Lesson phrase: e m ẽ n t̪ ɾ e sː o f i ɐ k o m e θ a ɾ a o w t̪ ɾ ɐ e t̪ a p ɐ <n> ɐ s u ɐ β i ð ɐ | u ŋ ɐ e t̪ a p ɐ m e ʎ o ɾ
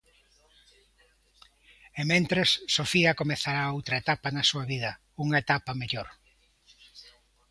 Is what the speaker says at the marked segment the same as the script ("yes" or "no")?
yes